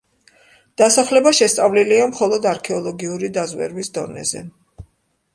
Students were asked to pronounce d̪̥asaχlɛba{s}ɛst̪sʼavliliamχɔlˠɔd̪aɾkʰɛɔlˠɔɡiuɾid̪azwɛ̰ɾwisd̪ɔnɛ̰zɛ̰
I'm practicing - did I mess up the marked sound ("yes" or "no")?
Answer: yes